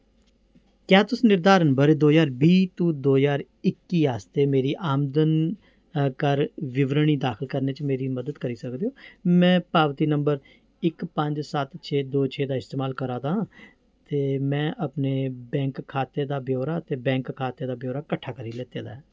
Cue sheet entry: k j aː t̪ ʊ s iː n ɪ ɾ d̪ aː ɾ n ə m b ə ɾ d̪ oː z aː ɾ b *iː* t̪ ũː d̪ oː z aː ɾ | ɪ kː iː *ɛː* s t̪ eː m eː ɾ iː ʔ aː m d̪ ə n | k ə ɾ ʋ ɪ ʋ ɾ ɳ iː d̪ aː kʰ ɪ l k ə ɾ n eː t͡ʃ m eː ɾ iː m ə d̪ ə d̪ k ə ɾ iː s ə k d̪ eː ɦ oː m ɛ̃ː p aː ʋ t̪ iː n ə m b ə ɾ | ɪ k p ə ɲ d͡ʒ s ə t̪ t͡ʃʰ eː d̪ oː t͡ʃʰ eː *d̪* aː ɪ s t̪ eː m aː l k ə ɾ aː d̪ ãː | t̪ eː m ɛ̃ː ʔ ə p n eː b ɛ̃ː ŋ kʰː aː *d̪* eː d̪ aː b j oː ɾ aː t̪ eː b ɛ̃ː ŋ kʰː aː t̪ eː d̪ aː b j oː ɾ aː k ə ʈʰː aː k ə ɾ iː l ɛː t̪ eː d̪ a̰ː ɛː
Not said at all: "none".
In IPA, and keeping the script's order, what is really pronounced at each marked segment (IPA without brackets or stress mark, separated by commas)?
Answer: iː, aː, d̪, t̪